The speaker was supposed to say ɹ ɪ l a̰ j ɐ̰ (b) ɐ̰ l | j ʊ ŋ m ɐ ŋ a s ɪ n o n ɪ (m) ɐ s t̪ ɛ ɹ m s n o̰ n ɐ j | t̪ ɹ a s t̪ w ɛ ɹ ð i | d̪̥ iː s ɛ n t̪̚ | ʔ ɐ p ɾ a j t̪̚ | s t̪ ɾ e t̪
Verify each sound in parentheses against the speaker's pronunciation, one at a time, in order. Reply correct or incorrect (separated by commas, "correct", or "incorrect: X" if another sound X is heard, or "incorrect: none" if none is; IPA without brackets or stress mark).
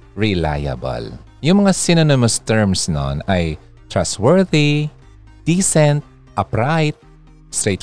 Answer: correct, correct